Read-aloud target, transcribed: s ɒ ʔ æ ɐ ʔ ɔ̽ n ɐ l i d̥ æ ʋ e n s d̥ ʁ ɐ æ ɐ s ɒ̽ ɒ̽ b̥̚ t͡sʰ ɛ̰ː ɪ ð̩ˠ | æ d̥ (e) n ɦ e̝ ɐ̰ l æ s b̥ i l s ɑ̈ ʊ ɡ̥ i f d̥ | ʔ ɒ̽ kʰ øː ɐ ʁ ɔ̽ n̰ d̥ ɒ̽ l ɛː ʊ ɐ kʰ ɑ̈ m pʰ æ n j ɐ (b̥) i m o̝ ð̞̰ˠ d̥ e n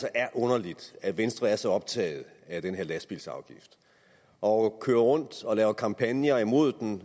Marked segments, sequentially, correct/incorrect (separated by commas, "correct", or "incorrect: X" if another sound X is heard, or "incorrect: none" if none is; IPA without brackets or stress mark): correct, incorrect: none